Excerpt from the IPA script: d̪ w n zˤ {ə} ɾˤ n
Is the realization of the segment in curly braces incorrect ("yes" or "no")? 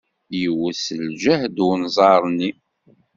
yes